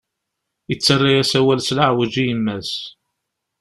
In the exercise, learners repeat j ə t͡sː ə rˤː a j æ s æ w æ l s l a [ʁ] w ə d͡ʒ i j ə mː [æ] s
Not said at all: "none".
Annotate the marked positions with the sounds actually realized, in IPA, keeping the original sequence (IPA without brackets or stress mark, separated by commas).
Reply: ʕ, æ